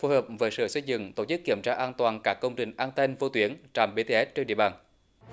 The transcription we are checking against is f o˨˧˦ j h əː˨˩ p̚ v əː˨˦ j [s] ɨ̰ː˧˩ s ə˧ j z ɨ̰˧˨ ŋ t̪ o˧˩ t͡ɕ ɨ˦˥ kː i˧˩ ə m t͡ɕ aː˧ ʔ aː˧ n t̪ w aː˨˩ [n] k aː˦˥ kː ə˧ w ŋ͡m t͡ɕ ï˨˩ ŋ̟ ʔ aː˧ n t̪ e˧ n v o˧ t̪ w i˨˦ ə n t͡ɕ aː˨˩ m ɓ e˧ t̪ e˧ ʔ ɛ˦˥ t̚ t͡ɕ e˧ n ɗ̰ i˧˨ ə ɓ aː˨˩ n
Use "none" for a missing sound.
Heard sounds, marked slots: s, n

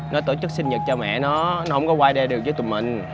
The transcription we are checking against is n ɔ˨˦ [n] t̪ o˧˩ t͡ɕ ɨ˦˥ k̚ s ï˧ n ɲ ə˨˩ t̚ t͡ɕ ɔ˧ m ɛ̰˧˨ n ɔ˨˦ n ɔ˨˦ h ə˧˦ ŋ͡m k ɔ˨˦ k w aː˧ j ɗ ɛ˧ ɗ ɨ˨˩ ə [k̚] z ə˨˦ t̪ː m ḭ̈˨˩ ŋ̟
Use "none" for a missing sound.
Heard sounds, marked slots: none, k̚

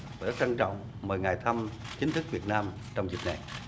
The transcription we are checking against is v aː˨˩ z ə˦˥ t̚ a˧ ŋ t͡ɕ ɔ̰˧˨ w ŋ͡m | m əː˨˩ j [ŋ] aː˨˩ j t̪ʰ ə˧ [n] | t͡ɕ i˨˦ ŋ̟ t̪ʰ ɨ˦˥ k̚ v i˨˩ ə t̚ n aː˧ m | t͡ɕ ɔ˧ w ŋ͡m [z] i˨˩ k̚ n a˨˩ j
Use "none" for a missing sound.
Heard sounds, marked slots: ŋ, m, z

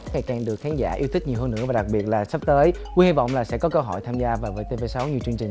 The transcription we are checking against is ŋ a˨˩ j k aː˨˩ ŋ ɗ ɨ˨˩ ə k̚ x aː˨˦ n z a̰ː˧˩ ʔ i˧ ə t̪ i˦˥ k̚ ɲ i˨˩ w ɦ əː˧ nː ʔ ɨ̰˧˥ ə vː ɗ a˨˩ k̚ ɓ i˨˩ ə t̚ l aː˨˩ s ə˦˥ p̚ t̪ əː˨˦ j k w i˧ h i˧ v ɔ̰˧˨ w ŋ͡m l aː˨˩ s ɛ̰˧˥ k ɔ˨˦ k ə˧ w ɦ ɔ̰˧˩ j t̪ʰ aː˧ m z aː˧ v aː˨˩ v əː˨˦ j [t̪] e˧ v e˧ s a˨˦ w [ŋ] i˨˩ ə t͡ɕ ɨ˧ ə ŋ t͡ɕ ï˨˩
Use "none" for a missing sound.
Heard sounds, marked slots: t̪, ɲ

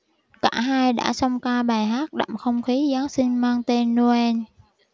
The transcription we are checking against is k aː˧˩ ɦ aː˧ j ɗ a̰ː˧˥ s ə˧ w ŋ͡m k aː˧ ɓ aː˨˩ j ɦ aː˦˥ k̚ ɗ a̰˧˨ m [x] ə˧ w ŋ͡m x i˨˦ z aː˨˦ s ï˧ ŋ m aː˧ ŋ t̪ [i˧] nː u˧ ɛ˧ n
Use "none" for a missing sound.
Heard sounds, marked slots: x, e˧

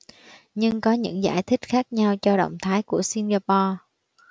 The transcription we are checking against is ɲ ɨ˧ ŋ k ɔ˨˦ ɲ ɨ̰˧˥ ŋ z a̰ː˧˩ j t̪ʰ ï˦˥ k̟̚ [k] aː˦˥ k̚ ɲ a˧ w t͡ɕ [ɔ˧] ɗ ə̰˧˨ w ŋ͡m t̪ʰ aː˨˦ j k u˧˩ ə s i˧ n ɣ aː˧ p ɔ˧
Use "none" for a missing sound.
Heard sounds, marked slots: x, ɔ˧

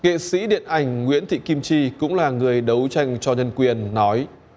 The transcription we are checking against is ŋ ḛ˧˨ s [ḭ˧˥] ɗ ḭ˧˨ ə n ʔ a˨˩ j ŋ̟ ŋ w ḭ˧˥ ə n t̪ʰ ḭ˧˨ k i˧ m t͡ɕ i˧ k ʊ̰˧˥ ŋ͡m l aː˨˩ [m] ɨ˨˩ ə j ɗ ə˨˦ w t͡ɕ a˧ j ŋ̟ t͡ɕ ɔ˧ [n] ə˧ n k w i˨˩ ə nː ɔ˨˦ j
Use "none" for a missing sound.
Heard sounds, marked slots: ḭ˧˥, ŋ, ɲ

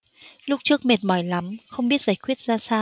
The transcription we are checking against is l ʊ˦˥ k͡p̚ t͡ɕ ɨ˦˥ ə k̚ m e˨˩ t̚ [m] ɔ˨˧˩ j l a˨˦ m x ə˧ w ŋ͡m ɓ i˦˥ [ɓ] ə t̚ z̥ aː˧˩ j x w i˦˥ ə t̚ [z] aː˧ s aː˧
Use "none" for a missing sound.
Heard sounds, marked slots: m, none, z

